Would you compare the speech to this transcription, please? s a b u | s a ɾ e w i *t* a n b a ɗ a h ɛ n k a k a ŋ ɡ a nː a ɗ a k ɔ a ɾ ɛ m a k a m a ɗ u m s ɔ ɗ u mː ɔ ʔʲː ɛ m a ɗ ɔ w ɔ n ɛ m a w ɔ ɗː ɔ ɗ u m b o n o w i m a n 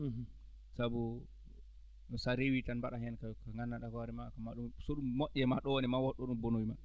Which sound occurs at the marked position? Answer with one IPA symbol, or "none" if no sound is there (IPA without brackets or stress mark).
t